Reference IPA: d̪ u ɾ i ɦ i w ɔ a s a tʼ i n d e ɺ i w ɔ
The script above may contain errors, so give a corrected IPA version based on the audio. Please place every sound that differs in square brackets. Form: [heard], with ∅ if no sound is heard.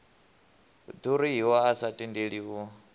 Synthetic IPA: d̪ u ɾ i ɦ i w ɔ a s a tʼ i n d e ɺ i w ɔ